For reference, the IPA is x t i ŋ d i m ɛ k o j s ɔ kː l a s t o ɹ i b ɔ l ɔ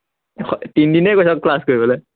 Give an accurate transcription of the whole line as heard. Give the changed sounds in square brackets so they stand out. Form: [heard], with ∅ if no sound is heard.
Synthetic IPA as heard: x t i [n] d i [n] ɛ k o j s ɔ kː l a s [k] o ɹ i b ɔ l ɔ